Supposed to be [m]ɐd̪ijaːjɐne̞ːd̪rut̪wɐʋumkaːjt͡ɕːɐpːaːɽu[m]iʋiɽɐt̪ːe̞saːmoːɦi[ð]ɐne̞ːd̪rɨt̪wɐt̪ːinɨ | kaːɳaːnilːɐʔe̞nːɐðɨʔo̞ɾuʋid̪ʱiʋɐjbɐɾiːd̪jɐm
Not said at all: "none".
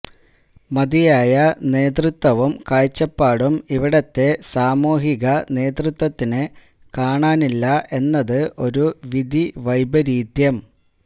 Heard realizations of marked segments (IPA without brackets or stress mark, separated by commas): m, m, ɣ